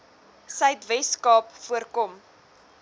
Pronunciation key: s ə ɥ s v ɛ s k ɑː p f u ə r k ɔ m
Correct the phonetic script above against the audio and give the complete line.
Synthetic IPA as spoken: s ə ɥ t v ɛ s k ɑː p f u ə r k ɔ m